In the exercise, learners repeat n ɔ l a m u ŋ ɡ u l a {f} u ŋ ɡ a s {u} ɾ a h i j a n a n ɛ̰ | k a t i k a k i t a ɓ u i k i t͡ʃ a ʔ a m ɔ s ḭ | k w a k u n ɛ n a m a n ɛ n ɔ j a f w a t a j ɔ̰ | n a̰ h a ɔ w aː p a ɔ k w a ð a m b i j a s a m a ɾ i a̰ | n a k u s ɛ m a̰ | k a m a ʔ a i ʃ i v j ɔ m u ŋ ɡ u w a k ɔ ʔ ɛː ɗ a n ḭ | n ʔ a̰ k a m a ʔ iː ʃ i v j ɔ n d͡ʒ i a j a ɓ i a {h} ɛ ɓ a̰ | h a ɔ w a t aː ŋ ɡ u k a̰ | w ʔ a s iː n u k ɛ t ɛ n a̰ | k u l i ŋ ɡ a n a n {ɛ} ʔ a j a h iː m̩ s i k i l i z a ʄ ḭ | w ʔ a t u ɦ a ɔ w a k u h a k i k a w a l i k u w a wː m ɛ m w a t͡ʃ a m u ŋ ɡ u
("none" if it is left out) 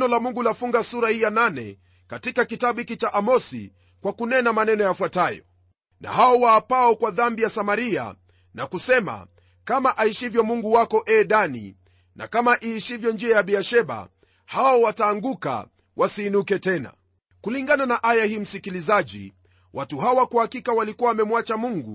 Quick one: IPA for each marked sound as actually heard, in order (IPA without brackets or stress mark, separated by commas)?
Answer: f, u, ʃ, a